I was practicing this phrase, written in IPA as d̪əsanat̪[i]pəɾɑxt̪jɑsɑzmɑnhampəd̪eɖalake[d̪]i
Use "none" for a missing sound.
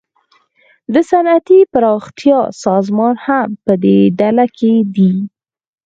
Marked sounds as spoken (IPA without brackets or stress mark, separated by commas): i, d̪